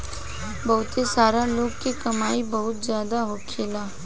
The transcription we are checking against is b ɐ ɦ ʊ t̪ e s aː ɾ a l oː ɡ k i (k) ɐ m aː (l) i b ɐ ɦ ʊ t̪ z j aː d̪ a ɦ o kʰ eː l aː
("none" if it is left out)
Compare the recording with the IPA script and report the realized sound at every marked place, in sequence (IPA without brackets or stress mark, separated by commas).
k, none